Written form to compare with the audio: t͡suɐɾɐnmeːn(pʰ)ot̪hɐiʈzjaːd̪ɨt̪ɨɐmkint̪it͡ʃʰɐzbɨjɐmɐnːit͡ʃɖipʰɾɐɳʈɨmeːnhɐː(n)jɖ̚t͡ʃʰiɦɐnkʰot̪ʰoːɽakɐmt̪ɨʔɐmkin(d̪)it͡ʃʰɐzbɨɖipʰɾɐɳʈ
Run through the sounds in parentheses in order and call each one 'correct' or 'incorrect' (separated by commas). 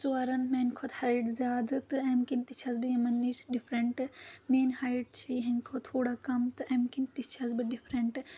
incorrect, incorrect, incorrect